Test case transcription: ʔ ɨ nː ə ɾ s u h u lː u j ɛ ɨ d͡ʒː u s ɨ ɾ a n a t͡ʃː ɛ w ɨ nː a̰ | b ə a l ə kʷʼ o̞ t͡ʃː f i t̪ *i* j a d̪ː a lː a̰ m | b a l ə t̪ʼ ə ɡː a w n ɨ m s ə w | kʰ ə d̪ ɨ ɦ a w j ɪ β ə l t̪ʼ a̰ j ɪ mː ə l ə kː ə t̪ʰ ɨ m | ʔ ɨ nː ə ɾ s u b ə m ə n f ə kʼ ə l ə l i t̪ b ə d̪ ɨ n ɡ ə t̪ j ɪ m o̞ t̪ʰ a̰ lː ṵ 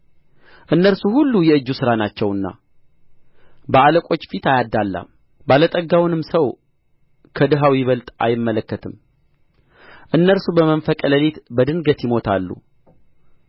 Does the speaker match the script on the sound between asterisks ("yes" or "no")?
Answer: no